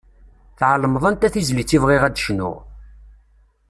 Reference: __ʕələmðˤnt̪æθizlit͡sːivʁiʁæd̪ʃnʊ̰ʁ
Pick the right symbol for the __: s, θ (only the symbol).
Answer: θ